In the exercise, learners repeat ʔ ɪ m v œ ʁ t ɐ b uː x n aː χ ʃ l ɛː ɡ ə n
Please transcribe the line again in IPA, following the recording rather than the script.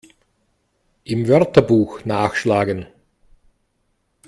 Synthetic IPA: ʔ ɪ m v œ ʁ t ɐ b uː x n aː x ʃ l aː ɡ ə n